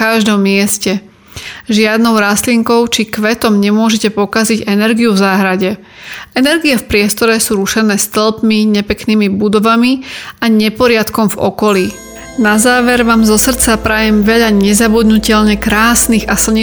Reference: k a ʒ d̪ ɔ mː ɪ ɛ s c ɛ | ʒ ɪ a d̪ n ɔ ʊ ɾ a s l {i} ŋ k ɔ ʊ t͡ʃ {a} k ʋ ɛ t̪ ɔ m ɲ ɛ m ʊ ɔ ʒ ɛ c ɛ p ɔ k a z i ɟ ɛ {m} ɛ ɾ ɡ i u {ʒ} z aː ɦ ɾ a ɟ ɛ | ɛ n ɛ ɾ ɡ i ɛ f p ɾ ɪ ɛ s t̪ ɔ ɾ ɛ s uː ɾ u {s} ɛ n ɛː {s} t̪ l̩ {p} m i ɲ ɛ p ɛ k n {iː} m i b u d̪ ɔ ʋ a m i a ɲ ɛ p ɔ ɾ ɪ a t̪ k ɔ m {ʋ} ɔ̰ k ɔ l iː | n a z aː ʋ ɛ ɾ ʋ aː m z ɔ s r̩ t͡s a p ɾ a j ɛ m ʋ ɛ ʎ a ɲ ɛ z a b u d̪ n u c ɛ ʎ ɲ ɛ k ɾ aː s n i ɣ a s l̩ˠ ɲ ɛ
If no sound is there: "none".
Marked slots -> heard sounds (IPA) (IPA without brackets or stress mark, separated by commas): i, i, n, v, ʃ, s, p, iː, v